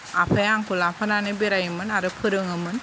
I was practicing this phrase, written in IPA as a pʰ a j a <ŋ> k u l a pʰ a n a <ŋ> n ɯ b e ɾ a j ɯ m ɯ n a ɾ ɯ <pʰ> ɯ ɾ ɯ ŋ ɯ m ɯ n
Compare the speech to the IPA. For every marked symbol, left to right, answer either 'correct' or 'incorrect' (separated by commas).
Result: correct, incorrect, correct